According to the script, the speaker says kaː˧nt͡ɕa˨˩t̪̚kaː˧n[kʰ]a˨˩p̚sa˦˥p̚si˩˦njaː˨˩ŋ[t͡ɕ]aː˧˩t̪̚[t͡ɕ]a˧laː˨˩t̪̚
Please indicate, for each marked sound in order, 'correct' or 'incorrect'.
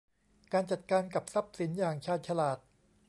incorrect: k, incorrect: t͡ɕʰ, incorrect: t͡ɕʰ

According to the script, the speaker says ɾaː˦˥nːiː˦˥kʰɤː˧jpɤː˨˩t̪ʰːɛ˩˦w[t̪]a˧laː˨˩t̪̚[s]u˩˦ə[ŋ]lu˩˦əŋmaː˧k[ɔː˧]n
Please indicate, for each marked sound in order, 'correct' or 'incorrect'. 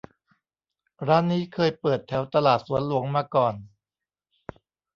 correct, correct, incorrect: n, incorrect: ɔː˨˩

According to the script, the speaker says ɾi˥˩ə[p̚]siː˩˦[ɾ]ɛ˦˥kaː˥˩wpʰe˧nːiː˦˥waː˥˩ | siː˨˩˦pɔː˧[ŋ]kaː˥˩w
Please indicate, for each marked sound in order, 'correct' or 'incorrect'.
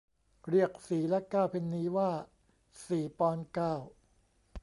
incorrect: k̚, incorrect: l, incorrect: n

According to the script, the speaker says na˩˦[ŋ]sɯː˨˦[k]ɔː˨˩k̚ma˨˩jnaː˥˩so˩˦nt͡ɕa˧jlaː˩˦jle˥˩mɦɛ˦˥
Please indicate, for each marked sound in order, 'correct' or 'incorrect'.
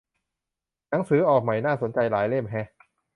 correct, incorrect: ʔ

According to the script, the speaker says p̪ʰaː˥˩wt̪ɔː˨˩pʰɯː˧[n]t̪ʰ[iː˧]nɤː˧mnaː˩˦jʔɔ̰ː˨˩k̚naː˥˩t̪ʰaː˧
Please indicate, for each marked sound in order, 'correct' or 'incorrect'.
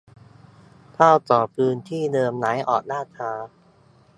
correct, incorrect: iː˥˩

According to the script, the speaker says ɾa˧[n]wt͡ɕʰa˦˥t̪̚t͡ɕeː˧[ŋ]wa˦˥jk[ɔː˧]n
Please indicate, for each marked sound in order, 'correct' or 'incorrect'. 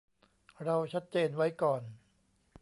incorrect: none, incorrect: n, incorrect: ɔː˨˩

